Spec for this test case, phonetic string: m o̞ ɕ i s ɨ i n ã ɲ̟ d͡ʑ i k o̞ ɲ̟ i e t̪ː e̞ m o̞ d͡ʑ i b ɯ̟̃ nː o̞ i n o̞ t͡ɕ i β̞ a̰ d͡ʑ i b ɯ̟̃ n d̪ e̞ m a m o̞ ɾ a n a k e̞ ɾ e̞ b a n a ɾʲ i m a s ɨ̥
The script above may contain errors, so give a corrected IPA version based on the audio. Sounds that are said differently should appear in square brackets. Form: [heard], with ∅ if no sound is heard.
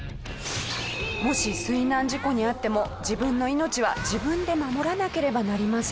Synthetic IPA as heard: m o̞ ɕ i s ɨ i n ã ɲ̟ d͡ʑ i k o̞ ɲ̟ i [a] t̪ː e̞ m o̞ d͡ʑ i b ɯ̟̃ nː o̞ i n o̞ t͡ɕ i β̞ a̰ d͡ʑ i b ɯ̟̃ n d̪ e̞ m a m o̞ ɾ a n a k e̞ ɾ e̞ b a n a ɾʲ i m a s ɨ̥